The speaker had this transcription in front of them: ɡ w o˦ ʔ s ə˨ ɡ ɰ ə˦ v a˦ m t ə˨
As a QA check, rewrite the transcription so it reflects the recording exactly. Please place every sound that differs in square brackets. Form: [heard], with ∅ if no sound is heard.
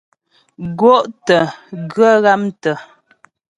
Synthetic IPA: ɡ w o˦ ʔ [t] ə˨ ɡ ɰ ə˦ [ɣ] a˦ m t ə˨